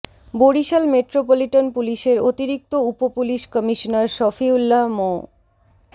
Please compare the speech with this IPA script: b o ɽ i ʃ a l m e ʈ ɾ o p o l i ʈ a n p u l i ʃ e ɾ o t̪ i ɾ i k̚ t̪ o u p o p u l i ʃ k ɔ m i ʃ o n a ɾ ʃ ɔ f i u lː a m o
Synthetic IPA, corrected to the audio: b o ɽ i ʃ a l m e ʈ ɾ o p o l i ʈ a n p u l i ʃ e ɾ o t̪ i ɾ i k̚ t̪ o u p o p u l i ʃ k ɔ m i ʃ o n a ɾ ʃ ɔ f i u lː a m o